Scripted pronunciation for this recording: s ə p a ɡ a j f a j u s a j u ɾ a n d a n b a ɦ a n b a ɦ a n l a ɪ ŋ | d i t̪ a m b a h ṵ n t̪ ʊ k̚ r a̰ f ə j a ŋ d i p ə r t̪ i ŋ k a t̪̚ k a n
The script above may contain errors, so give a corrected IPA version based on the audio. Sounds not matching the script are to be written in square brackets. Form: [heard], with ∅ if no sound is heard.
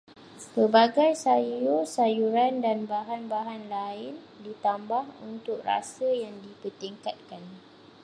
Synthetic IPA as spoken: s ə [b] a ɡ a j [s] a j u s a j u ɾ a n d a n b a ɦ a n b a ɦ a n l a ɪ [n] | d i t̪ a m b a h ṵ n t̪ ʊ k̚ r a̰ [s] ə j a ŋ d i p ə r t̪ i ŋ k a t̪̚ k a n